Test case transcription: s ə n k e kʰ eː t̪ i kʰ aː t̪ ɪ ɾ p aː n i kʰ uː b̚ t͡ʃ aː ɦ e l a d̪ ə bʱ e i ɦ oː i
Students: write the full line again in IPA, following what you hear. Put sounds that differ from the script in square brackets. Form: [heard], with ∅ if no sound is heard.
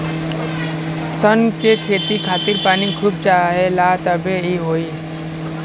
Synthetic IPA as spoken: s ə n k e kʰ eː t̪ i kʰ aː t̪ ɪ ɾ p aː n i kʰ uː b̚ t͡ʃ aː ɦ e l a [t̪] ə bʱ e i ɦ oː i